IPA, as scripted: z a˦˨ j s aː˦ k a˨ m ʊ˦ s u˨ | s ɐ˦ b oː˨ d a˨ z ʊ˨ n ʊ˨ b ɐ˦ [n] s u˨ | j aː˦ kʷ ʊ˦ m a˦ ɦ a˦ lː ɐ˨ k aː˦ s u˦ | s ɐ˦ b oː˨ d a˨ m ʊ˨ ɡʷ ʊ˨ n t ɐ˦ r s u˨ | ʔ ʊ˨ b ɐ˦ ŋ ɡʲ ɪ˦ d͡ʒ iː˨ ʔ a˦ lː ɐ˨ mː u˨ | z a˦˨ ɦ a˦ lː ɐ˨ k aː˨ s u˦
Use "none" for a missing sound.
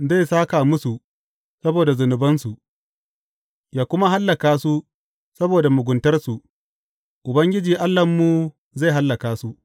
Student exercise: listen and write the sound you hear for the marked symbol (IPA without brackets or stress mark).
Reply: n